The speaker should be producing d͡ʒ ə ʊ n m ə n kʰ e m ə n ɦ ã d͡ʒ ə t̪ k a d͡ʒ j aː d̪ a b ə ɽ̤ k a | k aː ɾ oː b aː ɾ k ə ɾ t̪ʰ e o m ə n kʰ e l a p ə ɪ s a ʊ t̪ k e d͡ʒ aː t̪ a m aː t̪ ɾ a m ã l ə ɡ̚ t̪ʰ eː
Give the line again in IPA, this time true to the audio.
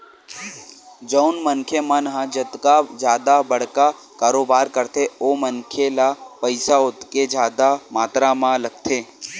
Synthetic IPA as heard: d͡ʒ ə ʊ n m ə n kʰ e m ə n ɦ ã d͡ʒ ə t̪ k a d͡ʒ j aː d̪ a b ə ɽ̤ k a | k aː ɾ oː b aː ɾ k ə ɾ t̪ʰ e o m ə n kʰ e l a p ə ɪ s a ʊ t̪ k e d͡ʒ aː d̪ a m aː t̪ ɾ a m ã l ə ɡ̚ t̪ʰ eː